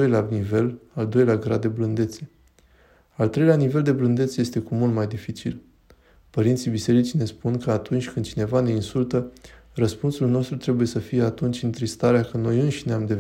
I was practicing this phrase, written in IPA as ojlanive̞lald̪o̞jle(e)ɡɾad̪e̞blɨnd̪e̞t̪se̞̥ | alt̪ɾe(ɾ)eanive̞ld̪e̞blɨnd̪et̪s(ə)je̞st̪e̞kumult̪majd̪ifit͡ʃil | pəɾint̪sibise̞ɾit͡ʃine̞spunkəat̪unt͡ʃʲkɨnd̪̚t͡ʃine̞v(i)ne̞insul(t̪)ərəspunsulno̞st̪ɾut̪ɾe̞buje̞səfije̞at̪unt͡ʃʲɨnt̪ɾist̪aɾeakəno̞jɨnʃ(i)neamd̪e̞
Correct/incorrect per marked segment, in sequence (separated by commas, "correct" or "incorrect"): incorrect, incorrect, correct, incorrect, correct, correct